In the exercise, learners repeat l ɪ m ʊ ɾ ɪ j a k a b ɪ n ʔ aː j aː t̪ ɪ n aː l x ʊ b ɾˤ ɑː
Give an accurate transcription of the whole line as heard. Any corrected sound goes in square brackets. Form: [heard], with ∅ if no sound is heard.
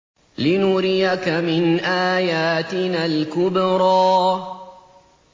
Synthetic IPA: l ɪ [n] ʊ ɾ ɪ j a k a [m] ɪ n ʔ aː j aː t̪ ɪ n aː l [k] ʊ b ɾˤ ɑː